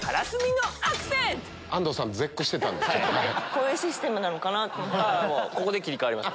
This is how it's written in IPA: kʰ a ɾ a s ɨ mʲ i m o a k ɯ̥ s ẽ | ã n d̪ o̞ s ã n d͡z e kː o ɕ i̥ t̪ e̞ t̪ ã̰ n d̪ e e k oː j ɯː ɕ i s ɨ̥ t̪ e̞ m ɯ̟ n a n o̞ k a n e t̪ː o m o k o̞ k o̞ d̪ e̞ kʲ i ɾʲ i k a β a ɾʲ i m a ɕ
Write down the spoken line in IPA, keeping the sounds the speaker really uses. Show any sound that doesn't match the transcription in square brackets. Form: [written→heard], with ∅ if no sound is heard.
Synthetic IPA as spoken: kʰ a ɾ a s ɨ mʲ i [m→n] o a k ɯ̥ s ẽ | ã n d̪ o̞ s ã n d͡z e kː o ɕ i̥ t̪ e̞ t̪ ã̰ n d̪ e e k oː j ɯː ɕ i s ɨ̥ t̪ e̞ m ɯ̟ n a n o̞ k a n [e→a] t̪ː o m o k o̞ k o̞ d̪ e̞ kʲ i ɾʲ i k a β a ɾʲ i m a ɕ